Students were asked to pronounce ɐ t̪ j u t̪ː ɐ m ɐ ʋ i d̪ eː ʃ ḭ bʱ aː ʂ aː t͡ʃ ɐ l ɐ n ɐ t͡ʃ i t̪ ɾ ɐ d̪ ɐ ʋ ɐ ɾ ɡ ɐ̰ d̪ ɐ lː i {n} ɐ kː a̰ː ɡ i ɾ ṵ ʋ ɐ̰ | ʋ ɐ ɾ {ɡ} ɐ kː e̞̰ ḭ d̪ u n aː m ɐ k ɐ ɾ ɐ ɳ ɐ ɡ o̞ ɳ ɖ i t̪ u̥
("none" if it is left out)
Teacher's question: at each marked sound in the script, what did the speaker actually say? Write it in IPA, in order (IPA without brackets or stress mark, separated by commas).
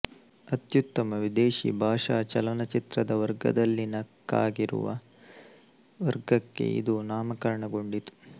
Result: n, ɡ